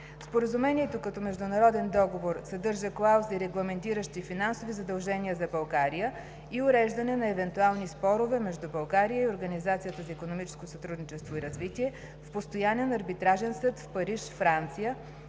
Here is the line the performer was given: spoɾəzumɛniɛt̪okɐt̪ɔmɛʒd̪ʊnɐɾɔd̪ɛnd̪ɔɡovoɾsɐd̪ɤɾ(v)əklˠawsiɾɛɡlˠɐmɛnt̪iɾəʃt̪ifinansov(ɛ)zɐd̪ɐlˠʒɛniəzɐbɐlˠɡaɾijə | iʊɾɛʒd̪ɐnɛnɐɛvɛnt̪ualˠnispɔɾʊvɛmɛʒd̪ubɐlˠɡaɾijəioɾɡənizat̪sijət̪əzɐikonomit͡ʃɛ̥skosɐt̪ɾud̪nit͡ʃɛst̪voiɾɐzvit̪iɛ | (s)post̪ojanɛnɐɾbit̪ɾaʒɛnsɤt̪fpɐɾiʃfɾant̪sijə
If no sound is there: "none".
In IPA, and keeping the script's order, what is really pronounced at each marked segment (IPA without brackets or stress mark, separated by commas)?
ʒ, i, f